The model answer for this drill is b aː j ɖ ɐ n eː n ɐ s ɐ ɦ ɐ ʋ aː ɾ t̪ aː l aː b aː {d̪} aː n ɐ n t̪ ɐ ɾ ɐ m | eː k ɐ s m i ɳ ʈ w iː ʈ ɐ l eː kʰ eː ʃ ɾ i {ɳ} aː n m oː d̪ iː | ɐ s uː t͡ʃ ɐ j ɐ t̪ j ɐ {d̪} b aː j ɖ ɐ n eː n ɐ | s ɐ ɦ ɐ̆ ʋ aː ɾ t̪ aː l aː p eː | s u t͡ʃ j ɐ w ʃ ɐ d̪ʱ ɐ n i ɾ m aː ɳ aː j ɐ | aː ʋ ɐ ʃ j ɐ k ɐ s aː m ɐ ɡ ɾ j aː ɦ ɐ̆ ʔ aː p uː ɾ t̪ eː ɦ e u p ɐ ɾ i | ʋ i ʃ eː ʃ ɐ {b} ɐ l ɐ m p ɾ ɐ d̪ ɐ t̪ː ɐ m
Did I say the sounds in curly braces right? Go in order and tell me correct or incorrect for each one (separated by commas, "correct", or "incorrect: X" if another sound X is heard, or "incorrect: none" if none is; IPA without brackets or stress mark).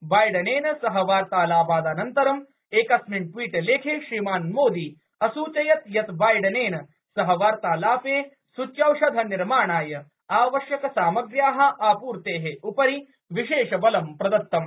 correct, incorrect: m, incorrect: t̪, correct